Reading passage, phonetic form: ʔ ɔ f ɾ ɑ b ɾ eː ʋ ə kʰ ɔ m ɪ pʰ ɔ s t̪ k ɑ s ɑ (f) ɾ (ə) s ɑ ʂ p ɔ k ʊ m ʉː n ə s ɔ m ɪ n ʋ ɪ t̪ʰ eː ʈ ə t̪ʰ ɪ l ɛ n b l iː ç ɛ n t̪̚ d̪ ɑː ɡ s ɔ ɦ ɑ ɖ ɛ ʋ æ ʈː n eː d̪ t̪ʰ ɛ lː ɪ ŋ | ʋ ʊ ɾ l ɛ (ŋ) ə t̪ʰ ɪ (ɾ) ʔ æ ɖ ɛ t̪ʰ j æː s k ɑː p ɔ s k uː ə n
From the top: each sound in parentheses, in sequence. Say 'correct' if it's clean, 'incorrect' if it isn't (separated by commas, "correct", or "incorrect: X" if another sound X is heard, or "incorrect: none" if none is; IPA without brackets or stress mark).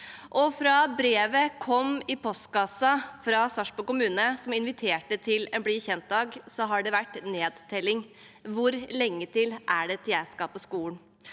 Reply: correct, incorrect: ɑ, incorrect: ŋː, incorrect: l